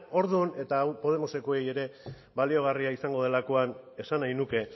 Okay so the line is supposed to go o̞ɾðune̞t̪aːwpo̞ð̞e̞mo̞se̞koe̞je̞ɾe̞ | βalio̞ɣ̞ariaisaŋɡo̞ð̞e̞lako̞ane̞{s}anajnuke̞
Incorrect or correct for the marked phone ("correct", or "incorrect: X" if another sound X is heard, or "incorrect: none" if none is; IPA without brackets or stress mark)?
correct